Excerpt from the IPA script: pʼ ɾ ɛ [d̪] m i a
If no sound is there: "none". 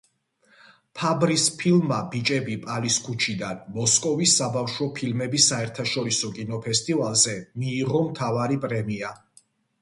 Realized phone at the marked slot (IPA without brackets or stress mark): none